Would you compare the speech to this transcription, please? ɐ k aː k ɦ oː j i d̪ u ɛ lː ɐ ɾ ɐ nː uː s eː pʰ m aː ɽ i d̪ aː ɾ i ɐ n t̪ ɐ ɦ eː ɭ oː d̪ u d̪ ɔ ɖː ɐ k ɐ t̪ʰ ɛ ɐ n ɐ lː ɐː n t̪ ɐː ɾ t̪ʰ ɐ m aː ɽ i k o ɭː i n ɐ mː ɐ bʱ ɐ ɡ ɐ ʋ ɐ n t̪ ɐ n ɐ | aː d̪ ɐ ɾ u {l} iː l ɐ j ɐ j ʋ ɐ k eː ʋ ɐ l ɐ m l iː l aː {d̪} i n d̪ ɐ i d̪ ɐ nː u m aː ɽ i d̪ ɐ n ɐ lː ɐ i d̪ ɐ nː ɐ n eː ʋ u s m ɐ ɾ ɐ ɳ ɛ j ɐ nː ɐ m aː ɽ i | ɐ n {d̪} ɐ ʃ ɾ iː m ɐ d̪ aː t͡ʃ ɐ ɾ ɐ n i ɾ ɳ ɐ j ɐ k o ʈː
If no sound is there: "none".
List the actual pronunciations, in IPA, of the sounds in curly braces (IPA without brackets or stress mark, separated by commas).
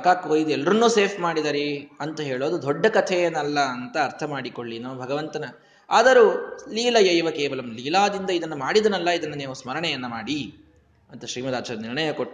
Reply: l, d̪, t̪